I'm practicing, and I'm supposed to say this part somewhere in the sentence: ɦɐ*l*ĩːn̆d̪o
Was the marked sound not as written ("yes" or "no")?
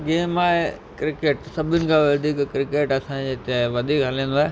no